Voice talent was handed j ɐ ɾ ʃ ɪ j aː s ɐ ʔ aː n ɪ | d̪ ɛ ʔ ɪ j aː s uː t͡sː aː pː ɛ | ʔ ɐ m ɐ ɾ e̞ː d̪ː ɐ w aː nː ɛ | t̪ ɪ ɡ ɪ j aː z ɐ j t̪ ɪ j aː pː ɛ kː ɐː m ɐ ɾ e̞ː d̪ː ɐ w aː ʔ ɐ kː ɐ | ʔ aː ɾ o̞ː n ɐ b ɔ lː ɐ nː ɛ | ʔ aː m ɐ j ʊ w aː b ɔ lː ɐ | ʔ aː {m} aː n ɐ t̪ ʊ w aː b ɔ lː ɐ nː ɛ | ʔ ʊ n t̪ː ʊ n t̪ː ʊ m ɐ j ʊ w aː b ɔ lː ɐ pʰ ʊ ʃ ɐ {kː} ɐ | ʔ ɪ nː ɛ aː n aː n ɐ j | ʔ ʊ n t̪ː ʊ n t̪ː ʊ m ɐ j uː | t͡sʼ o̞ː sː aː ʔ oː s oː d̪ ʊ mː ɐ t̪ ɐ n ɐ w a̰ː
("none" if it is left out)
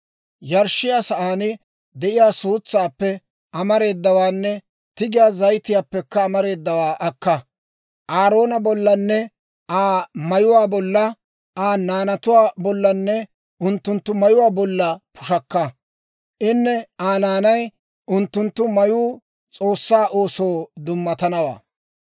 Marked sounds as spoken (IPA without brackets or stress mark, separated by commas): n, kː